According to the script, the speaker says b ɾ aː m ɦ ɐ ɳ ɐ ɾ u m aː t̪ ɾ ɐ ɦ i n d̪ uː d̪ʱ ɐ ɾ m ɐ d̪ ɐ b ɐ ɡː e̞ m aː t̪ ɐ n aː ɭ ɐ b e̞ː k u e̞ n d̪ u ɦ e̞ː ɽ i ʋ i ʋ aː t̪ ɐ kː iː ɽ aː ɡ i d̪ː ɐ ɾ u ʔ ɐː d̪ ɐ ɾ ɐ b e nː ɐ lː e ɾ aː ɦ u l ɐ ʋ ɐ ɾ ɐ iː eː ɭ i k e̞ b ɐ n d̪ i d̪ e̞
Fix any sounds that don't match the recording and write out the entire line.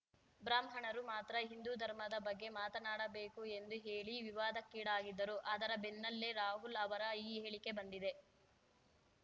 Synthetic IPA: b ɾ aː m ɦ ɐ ɳ ɐ ɾ u m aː t̪ ɾ ɐ ɦ i n d̪ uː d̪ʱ ɐ ɾ m ɐ d̪ ɐ b ɐ ɡː e̞ m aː t̪ ɐ n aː ɽ ɐ b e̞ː k u e̞ n d̪ u ɦ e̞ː ɭ i ʋ i ʋ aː d̪ ɐ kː iː ɽ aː ɡ i d̪ː ɐ ɾ u ʔ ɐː d̪ ɐ ɾ ɐ b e nː ɐ lː e ɾ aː ɦ u l ɐ ʋ ɐ ɾ ɐ iː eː ɭ i k e̞ b ɐ n d̪ i d̪ e̞

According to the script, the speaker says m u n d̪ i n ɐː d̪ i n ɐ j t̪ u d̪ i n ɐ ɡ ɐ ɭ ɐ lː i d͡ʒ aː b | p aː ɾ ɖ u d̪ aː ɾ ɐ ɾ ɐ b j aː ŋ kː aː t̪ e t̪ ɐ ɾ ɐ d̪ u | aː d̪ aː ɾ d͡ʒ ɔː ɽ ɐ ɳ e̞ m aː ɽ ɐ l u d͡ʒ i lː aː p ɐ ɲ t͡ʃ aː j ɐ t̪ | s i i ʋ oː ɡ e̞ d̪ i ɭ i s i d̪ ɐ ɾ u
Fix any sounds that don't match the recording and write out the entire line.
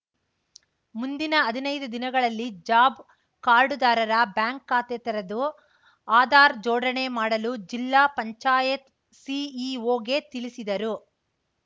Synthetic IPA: m u n d̪ i n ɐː d̪ i n ɐ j d̪ u d̪ i n ɐ ɡ ɐ ɭ ɐ lː i d͡ʒ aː b | k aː ɾ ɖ u d̪ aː ɾ ɐ ɾ ɐ b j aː ŋ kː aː t̪ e t̪ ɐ ɾ ɐ d̪ u | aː d̪ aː ɾ d͡ʒ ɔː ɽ ɐ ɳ e̞ m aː ɽ ɐ l u d͡ʒ i lː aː p ɐ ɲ t͡ʃ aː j ɐ t̪ | s i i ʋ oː ɡ e̞ t̪ i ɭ i s i d̪ ɐ ɾ u

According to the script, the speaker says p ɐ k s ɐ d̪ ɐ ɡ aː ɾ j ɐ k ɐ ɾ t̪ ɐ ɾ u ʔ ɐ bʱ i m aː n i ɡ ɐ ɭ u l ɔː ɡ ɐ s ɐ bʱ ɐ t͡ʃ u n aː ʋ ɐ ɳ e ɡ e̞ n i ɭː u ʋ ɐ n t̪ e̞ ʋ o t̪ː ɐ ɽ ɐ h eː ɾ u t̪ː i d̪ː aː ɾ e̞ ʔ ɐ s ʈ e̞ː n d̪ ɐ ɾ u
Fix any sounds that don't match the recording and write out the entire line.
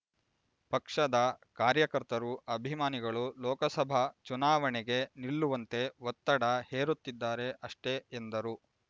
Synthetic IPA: p ɐ k ʂ ɐ d̪ ɐ k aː ɾ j ɐ k ɐ ɾ t̪ ɐ ɾ u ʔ ɐ bʱ i m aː n i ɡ ɐ ɭ u l ɔː k ɐ s ɐ bʱ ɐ t͡ʃ u n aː ʋ ɐ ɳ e ɡ e̞ n i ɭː u ʋ ɐ n t̪ e̞ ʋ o t̪ː ɐ ɽ ɐ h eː ɾ u t̪ː i d̪ː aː ɾ e̞ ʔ ɐ ʂ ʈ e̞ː n d̪ ɐ ɾ u

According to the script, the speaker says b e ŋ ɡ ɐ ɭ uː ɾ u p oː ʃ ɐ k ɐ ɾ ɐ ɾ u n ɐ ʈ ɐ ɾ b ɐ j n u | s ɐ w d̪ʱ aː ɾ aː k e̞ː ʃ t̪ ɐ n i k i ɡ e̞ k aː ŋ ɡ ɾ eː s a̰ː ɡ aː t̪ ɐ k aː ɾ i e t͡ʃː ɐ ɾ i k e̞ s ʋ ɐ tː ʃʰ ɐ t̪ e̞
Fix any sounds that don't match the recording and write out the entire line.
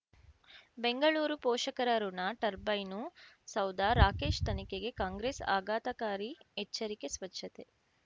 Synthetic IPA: b e ŋ ɡ ɐ ɭ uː ɾ u p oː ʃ ɐ k ɐ ɾ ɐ ɾ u n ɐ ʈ ɐ ɾ b ɐ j n u | s ɐ w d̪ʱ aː ɾ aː k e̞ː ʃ t̪ ɐ n i k e ɡ e̞ k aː ŋ ɡ ɾ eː s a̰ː ɡ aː t̪ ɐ k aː ɾ i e t͡ʃː ɐ ɾ i k e̞ s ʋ ɐ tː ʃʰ ɐ t̪ e̞

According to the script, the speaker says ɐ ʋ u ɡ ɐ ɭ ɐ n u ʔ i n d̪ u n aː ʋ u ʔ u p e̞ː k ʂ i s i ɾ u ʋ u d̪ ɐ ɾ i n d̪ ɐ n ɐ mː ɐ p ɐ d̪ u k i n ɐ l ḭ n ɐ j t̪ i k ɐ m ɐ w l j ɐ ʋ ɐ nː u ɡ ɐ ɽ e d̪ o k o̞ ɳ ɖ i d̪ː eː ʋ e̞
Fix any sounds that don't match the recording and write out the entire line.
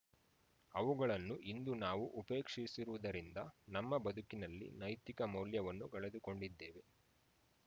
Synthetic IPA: ɐ ʋ u ɡ ɐ ɭ ɐ nː u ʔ i n d̪ u n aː ʋ u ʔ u p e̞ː k ʂ i s i ɾ u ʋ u d̪ ɐ ɾ i n d̪ ɐ n ɐ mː ɐ b ɐ d̪ u k i n ɐ lː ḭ n ɐ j t̪ i k ɐ m ɐ w l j ɐ ʋ ɐ nː u ɡ ɐ ɭ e d̪ u k o̞ ɳ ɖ i d̪ː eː ʋ e̞

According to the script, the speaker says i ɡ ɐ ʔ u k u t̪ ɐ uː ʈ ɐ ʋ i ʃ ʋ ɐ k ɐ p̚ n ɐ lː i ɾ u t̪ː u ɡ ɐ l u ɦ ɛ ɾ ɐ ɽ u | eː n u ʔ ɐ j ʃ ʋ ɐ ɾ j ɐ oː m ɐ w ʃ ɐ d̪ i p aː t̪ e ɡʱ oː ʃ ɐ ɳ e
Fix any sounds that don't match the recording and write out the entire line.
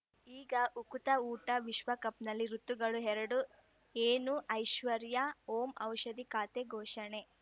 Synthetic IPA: iː ɡ ɐ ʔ u k u t̪ ɐ uː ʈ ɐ ʋ i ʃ ʋ ɐ k ɐ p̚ n ɐ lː i ɾ u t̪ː u ɡ ɐ ɭ u ɦ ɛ ɾ ɐ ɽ u | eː n u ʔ ɐ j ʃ ʋ ɐ ɾ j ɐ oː m ɐ w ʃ ɐ d̪ i k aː t̪ e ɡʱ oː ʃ ɐ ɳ e

